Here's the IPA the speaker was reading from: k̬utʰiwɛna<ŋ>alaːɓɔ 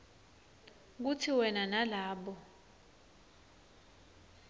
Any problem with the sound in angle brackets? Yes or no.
yes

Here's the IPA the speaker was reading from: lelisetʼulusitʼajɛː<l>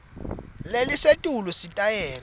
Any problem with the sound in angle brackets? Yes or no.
no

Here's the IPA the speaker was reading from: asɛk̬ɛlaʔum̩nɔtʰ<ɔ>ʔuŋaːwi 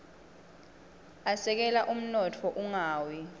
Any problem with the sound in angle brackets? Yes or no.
no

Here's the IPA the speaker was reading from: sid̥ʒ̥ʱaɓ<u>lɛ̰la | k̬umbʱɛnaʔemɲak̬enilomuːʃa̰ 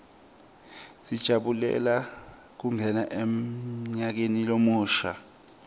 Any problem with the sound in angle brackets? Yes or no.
no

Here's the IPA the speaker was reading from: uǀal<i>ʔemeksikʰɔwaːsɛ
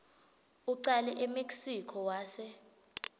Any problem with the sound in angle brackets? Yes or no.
yes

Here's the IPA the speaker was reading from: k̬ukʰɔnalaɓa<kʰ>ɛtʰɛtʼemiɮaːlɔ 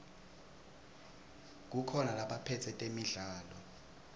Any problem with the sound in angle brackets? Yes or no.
yes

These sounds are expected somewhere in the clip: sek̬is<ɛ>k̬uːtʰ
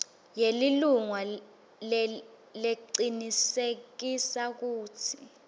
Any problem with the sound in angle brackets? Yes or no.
yes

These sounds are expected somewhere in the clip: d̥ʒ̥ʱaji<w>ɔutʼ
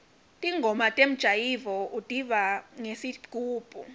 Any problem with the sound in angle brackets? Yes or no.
yes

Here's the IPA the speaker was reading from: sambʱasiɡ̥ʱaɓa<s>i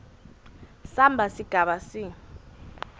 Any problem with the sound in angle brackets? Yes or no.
no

